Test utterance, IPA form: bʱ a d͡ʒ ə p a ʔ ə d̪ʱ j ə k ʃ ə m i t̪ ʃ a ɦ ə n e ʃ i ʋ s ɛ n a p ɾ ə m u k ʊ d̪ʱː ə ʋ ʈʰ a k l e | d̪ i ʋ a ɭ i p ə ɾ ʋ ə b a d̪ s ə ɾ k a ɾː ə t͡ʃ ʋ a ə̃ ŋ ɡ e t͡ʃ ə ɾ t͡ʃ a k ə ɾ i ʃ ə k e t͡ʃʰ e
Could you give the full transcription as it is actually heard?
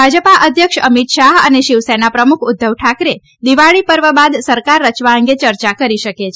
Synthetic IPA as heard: bʱ a d͡ʒ ə p a ʔ ə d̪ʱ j ə k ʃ ə m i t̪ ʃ a ɦ ə n e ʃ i ʋ s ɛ n a p ɾ ə m u kʰ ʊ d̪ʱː ə ʋ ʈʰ a k ɾ e | d̪ i ʋ a ɭ i p ə ɾ ʋ ə b a d̪ s ə ɾ k a ɾː ə t͡ʃ ʋ a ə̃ ŋ ɡ e t͡ʃ ə ɾ t͡ʃ a k ə ɾ i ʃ ə k e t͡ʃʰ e